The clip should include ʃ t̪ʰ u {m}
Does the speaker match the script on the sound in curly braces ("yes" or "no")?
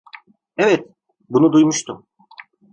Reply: yes